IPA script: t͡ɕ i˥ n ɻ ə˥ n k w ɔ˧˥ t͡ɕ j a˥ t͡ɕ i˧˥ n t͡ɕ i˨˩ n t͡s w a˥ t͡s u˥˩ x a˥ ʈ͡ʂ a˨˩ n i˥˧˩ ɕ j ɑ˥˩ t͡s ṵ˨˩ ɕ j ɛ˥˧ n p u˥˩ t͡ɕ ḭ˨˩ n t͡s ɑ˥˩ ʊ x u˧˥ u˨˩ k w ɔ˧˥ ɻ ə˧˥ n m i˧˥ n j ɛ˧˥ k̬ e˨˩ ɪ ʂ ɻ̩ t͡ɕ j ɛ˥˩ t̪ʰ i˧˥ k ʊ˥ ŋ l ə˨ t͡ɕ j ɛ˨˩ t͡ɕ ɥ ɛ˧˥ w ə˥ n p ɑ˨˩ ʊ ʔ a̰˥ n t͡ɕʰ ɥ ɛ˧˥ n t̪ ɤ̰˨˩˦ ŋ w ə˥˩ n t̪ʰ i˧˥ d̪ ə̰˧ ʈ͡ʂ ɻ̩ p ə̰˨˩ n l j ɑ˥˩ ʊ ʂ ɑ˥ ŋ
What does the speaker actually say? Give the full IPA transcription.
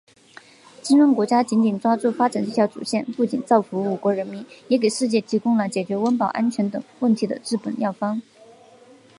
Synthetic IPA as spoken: t͡ɕ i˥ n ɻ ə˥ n k w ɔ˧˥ t͡ɕ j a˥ t͡ɕ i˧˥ n t͡ɕ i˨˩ n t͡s w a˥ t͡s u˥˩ f a˥ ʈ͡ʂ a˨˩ n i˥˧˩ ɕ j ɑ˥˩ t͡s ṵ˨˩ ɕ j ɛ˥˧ n p u˥˩ t͡ɕ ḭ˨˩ n t͡s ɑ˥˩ ʊ f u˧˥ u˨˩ k w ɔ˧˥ ɻ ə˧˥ n m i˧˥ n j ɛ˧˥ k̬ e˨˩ ɪ ʂ ɻ̩ t͡ɕ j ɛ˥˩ t̪ʰ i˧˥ k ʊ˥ ŋ l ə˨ t͡ɕ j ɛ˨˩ t͡ɕ ɥ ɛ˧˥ w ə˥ n p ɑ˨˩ ʊ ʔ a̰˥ n t͡ɕʰ ɥ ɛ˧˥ n t̪ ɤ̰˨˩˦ ŋ w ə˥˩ n t̪ʰ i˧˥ d̪ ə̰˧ ʈ͡ʂ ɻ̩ p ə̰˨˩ n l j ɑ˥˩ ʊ f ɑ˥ ŋ

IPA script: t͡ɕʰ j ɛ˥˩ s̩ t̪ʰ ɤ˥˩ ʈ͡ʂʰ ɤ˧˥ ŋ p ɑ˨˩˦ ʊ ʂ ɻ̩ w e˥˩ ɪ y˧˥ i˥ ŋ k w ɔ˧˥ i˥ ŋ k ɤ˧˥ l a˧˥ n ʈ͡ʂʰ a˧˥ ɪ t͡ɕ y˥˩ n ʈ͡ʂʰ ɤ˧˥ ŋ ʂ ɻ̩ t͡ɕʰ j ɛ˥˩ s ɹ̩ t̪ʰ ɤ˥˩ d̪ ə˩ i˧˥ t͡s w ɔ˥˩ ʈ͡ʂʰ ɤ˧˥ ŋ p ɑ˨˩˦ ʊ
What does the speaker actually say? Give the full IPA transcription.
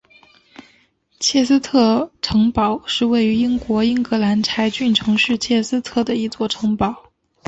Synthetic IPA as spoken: t͡ɕʰ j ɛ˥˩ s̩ t̪ʰ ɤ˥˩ ʈ͡ʂʰ ɤ˧˥ ŋ p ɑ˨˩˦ ʊ ʂ ɻ̩ w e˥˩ ɪ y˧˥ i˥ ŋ k w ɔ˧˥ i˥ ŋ k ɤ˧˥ l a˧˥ n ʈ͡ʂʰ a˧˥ ɪ t͡ɕ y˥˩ n ʈ͡ʂʰ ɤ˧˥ ŋ ʂ ɻ̩ t͡ɕʰ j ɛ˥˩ s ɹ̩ t̪ʰ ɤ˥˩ d̪ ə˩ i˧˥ t͡s w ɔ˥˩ ʈ͡ʂʰ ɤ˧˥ ŋ p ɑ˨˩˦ ʊ

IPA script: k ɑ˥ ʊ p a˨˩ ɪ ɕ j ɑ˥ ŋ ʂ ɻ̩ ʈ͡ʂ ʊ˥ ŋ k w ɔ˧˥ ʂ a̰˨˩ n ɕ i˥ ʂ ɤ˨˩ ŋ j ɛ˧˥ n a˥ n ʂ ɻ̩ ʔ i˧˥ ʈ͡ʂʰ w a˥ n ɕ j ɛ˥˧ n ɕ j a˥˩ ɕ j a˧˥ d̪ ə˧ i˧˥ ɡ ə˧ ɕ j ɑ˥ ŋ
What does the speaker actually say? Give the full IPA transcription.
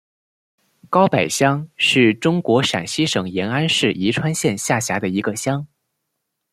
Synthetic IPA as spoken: k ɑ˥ ʊ p a˨˩ ɪ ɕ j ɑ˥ ŋ ʂ ɻ̩ ʈ͡ʂ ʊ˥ ŋ k w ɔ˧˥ ʂ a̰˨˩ n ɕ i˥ ʂ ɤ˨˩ ŋ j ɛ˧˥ n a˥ n ʂ ɻ̩ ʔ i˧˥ ʈ͡ʂʰ w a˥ n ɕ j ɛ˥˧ n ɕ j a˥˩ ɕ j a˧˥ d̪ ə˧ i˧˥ ɡ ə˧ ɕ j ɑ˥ ŋ

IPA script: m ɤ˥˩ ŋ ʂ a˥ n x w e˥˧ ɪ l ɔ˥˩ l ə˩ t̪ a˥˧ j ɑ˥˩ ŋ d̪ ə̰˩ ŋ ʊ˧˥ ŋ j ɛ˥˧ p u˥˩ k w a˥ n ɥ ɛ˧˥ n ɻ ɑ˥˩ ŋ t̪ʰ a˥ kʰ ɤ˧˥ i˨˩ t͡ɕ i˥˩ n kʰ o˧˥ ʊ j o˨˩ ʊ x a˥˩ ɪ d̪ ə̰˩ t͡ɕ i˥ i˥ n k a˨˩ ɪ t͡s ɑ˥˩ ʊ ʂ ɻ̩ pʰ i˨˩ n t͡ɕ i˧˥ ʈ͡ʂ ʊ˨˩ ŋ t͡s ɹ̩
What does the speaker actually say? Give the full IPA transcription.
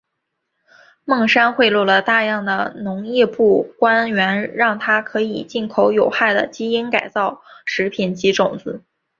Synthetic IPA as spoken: m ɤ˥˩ ŋ ʂ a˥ n x w e˥˧ ɪ l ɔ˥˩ l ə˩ t̪ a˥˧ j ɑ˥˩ ŋ d̪ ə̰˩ n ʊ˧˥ ŋ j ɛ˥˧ p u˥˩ k w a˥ n ɥ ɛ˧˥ n ɻ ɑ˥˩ ŋ t̪ʰ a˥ kʰ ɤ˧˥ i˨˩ t͡ɕ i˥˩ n kʰ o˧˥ ʊ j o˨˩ ʊ x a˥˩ ɪ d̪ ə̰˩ t͡ɕ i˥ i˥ n k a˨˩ ɪ t͡s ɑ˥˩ ʊ ʂ ɻ̩ pʰ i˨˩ n t͡ɕ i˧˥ ʈ͡ʂ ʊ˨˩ ŋ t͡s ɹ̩

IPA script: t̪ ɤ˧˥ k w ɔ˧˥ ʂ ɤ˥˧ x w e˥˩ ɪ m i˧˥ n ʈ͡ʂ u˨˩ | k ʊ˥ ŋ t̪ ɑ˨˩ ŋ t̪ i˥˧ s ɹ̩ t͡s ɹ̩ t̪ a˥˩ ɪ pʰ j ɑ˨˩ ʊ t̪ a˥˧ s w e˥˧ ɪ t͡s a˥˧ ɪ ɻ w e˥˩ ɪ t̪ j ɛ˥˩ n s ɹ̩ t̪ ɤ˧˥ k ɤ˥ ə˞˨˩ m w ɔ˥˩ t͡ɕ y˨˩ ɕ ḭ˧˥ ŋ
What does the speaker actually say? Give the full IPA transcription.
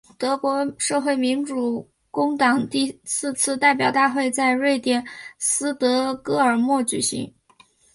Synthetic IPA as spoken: t̪ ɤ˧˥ k w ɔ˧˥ ʂ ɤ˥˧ x w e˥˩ ɪ m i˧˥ n ʈ͡ʂ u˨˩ | k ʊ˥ ŋ t̪ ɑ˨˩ ŋ t̪ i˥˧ s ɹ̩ t͡sʰ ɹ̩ t̪ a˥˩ ɪ p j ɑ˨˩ ʊ t̪ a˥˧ x w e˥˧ ɪ t͡s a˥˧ ɪ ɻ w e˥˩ ɪ t̪ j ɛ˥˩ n s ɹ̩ t̪ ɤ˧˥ k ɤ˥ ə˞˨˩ m w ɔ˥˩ t͡ɕ y˨˩ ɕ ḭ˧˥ ŋ

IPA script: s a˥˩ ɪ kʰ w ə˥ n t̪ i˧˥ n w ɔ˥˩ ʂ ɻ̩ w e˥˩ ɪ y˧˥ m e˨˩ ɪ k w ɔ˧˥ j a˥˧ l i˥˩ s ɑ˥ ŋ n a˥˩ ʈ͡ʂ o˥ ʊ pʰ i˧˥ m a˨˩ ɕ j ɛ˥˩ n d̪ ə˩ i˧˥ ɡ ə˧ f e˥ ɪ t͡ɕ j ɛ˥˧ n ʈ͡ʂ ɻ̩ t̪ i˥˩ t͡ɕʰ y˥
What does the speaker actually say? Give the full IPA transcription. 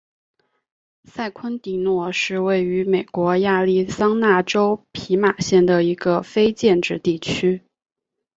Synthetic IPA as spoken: s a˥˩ ɪ kʰ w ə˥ n t̪ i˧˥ n w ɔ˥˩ ʂ ɻ̩ w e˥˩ ɪ y˧˥ m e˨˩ ɪ k w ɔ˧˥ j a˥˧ l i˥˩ s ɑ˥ ŋ n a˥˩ ʈ͡ʂ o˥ ʊ pʰ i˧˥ m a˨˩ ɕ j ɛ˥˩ n d̪ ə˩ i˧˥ ɡ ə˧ f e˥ ɪ t͡ɕ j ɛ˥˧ n ʈ͡ʂ ɻ̩ t̪ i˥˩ t͡ɕʰ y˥

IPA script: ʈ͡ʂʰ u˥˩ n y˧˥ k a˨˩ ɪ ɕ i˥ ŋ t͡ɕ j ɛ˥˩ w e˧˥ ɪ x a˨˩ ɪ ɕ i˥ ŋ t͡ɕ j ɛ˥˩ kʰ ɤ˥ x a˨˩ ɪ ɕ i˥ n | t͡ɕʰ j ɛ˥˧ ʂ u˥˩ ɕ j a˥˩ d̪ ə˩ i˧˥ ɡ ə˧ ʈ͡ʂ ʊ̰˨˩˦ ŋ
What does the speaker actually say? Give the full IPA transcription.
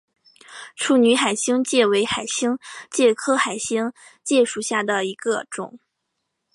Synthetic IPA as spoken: ʈ͡ʂʰ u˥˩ n y˧˥ x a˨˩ ɪ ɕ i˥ ŋ t͡ɕ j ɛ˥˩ w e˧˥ ɪ x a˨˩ ɪ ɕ i˥ ŋ t͡ɕ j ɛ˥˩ kʰ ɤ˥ x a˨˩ ɪ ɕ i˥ ŋ | t͡ɕ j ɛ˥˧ ʂ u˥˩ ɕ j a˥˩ d̪ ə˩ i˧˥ ɡ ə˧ ʈ͡ʂ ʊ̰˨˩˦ ŋ

